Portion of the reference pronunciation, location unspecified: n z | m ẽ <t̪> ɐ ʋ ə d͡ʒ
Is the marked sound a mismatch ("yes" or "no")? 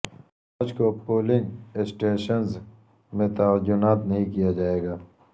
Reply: no